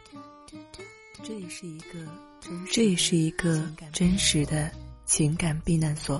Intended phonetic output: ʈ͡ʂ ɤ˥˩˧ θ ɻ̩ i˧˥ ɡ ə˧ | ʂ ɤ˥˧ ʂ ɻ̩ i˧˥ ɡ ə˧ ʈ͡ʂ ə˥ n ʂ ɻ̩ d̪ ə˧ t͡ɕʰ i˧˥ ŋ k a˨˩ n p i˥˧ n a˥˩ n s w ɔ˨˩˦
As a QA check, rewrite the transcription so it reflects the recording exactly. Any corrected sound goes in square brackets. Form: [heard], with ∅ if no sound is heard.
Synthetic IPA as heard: ʈ͡ʂ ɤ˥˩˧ [ʂ] ɻ̩ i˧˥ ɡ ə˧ | [ʈ͡ʂ] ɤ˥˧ ʂ ɻ̩ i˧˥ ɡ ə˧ ʈ͡ʂ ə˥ n ʂ ɻ̩ d̪ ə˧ t͡ɕʰ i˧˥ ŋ k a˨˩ n p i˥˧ n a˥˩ n s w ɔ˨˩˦